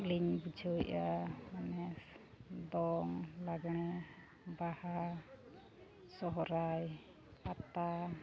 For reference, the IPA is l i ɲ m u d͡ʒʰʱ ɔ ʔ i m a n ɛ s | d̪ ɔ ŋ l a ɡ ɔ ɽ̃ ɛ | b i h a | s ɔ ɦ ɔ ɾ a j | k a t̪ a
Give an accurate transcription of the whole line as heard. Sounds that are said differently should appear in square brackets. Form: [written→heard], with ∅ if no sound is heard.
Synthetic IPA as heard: l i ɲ [m→b] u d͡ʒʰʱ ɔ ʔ [i→a] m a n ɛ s | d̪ ɔ ŋ l a ɡ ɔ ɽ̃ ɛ | b [i→a] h a | s ɔ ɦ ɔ ɾ a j | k a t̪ a